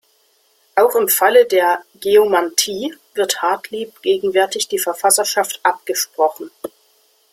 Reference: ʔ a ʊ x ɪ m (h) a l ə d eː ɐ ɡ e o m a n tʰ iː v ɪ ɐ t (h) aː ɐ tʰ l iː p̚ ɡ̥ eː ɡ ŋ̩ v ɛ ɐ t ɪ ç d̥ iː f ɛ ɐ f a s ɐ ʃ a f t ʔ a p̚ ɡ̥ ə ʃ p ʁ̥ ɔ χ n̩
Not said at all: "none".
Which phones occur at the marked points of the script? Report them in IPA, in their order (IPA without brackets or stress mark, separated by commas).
f, h